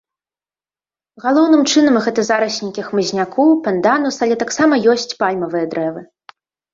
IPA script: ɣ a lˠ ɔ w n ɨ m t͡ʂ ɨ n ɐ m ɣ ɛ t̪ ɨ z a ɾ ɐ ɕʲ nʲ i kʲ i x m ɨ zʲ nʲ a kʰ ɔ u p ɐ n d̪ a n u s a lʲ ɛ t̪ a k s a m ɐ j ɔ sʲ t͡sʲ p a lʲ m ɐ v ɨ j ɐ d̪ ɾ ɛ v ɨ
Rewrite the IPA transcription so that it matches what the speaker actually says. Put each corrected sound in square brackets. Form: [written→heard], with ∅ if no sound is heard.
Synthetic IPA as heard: ɣ a lˠ ɔ w n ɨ m t͡ʂ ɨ n ɐ m ɣ ɛ t̪ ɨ z a ɾ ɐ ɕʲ nʲ i kʲ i x m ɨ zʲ nʲ a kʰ ɔ [u→w] p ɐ n d̪ a n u s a lʲ ɛ t̪ a k s a m ɐ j ɔ sʲ t͡sʲ p a lʲ m ɐ v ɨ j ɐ d̪ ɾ ɛ v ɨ